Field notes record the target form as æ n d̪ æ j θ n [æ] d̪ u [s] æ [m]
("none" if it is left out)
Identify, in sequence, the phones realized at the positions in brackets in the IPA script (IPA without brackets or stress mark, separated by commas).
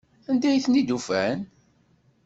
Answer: i, f, n